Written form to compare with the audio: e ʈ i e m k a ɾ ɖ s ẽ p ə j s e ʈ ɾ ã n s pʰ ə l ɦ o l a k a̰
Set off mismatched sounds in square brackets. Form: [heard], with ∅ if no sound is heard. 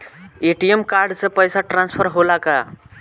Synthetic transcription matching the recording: e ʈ i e m k a ɾ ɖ s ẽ p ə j s [a] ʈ ɾ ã n s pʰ ə [ɾ] ɦ o l a k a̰